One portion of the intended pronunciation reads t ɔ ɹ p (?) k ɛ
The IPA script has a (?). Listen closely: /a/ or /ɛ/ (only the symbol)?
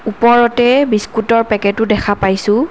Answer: ɛ